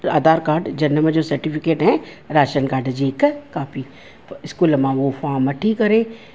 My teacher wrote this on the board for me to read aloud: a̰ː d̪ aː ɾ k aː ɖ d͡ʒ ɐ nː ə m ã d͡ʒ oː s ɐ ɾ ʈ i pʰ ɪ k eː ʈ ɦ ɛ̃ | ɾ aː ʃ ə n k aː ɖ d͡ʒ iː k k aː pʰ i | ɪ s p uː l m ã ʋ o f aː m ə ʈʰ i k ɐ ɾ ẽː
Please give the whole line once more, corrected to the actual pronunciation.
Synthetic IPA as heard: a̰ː d̪ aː ɾ k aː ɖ d͡ʒ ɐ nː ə m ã d͡ʒ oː s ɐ ɾ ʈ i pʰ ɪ k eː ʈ ɦ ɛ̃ | ɾ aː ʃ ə n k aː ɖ d͡ʒ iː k k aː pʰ i | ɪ s k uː l m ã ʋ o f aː m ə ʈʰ i k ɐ ɾ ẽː